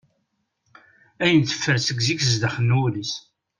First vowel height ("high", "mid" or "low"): low